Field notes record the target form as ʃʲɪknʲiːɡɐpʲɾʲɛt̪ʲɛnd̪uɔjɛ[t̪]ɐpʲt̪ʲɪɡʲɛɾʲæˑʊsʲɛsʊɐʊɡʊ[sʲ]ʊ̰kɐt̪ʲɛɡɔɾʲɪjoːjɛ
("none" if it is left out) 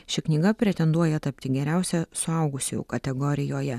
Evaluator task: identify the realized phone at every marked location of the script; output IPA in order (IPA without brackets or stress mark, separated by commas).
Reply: t̪, sʲ